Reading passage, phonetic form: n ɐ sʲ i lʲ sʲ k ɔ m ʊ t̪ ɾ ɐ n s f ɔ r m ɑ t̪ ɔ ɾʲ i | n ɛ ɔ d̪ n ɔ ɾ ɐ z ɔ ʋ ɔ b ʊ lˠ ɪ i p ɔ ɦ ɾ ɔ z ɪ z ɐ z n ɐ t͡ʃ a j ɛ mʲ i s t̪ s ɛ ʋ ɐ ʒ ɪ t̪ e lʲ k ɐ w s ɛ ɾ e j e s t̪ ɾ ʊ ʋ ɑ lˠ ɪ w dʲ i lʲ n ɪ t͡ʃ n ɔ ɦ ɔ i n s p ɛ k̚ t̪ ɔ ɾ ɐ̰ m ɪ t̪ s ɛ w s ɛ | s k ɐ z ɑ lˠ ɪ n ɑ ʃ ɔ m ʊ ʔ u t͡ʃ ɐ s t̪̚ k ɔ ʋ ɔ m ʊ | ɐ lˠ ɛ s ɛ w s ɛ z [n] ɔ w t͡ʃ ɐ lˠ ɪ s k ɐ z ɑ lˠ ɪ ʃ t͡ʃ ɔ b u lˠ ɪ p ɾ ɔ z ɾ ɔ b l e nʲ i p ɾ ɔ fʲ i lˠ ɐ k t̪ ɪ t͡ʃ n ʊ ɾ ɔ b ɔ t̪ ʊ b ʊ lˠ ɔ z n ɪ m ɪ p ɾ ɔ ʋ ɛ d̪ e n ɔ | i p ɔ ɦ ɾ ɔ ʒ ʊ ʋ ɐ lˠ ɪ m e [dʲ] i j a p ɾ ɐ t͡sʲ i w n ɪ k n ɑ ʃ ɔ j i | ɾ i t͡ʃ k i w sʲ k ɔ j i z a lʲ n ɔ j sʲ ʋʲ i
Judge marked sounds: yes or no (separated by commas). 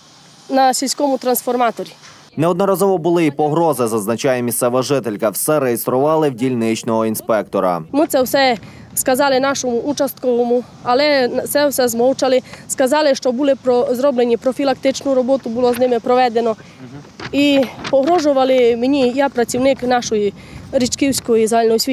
no, no